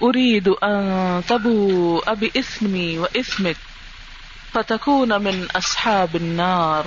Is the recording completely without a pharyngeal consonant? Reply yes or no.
no